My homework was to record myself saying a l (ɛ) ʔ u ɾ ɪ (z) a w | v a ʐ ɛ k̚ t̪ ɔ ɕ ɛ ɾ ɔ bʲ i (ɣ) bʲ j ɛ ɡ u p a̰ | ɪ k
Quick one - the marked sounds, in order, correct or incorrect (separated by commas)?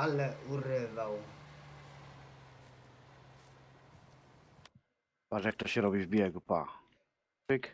correct, incorrect, incorrect